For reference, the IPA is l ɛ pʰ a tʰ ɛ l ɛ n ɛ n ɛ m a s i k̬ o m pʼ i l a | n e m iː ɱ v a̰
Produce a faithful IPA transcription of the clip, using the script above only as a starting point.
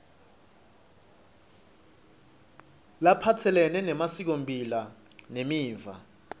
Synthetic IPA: l a pʰ a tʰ ɛ l ɛ n ɛ n ɛ m a s i k̬ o m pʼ i l a | n e m iː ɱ v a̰